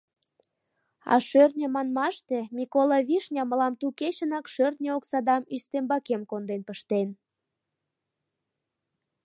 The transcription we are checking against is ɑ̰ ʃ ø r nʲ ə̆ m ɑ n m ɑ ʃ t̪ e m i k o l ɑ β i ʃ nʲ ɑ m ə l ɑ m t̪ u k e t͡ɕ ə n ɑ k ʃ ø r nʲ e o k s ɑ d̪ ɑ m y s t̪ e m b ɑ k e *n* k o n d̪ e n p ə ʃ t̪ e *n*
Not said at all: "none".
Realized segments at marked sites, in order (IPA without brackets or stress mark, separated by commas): m, n